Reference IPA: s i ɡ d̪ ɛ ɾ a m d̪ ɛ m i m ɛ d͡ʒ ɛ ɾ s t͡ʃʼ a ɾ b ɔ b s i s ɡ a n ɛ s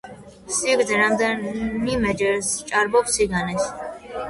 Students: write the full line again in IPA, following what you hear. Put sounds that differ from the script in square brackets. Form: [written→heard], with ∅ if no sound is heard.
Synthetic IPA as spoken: s i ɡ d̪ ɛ ɾ a m d̪ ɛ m i m ɛ d͡ʒ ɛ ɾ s t͡ʃʼ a ɾ b ɔ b s i [s→∅] ɡ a n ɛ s